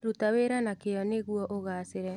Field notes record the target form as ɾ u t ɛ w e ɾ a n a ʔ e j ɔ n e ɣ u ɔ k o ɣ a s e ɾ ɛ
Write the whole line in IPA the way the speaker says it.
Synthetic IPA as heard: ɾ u t a w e ɾ a n a k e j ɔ n e ɣ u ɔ ʔ o ɣ a s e ɾ ɛ